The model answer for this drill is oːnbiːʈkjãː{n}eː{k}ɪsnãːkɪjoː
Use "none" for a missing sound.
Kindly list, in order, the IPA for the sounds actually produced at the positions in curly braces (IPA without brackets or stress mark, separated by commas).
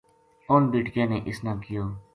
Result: n, ʔ